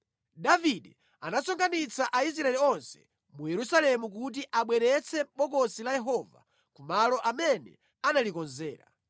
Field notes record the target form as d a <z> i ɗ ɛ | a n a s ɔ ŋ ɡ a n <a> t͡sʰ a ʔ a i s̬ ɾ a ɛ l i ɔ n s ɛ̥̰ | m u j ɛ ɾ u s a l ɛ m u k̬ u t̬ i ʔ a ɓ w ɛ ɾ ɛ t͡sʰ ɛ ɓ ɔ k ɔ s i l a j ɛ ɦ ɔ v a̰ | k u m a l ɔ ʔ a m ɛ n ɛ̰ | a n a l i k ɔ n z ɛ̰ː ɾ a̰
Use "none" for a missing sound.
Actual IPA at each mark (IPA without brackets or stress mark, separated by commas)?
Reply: v, i